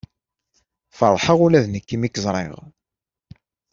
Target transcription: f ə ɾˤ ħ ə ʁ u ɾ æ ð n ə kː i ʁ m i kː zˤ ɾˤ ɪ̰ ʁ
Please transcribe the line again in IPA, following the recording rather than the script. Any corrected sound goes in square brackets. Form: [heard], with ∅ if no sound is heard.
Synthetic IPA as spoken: f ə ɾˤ ħ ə ʁ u [l] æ ð n ə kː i [∅] m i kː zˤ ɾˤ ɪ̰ ʁ